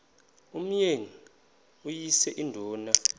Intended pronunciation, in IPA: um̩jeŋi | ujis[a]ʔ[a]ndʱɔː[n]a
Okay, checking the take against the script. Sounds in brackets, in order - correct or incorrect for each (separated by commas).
incorrect, incorrect, correct